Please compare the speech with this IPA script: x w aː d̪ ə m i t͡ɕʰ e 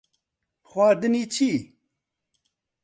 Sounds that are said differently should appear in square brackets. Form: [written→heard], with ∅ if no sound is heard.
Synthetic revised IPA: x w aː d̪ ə [m→n] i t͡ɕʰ [e→i]